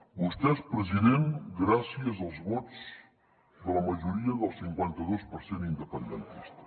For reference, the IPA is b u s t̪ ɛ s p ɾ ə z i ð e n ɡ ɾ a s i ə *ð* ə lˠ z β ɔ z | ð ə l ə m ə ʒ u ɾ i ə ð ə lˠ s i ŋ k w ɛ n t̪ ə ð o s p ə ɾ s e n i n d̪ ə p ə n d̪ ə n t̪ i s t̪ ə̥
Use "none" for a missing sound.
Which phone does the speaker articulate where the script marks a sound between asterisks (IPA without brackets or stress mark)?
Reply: z